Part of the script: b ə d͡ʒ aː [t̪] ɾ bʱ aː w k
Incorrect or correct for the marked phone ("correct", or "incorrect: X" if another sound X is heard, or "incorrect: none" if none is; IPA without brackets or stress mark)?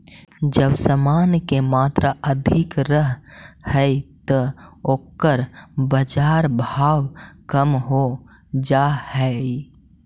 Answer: incorrect: none